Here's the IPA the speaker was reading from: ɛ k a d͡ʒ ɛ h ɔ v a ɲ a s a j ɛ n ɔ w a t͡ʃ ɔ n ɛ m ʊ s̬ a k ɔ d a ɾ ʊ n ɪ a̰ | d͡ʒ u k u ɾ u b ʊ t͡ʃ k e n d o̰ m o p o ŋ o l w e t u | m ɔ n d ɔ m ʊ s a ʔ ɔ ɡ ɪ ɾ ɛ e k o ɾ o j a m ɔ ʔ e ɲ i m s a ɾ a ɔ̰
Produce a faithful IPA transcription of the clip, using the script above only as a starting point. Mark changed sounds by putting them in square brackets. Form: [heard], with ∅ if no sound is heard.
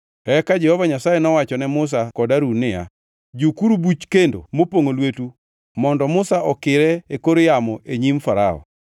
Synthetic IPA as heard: ɛ k a d͡ʒ ɛ h ɔ v a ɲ a s a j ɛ n ɔ w a t͡ʃ ɔ n ɛ m ʊ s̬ a k ɔ d a ɾ [u] n ɪ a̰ | d͡ʒ u k u ɾ u b [u] t͡ʃ k e n d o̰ m o p o ŋ o l w e t u | m ɔ n d ɔ m ʊ s a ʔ ɔ [k] ɪ ɾ ɛ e k o ɾ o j a m ɔ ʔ e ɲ i m [f] a ɾ a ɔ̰

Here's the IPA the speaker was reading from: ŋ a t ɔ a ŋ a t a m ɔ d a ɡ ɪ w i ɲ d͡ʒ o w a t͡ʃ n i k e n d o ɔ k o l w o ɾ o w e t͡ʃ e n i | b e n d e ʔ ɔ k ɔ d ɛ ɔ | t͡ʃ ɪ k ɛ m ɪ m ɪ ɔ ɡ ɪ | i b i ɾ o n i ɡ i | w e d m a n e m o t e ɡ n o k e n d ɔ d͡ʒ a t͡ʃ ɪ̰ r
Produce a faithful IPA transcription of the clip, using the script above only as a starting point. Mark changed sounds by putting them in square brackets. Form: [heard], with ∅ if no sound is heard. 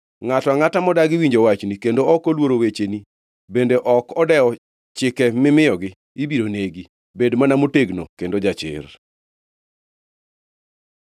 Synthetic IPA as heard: ŋ a t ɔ a ŋ a t a m ɔ d a ɡ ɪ w i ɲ d͡ʒ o w a t͡ʃ n i k e n d o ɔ k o l w o ɾ o w e t͡ʃ e n i | b e n d e ʔ ɔ k ɔ d ɛ ɔ | t͡ʃ ɪ k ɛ m ɪ m ɪ ɔ ɡ ɪ | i b i ɾ o n [e] ɡ i | [b] e d m a n [a] m o t e ɡ n o k e n d [o] d͡ʒ a t͡ʃ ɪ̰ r

